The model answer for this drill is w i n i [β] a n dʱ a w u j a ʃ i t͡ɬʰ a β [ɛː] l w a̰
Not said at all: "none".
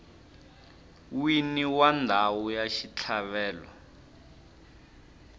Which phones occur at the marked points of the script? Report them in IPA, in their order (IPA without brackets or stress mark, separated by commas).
w, ɛː